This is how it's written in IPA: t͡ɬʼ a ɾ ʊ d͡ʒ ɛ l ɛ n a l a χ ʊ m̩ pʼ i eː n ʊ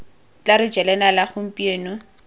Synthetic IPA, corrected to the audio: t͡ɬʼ a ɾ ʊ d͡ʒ ɛ l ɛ n a l a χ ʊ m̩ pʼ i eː n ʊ